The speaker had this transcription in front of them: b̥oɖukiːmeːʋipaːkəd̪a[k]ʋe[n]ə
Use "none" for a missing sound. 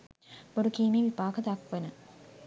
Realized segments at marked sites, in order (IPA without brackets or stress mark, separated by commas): k, n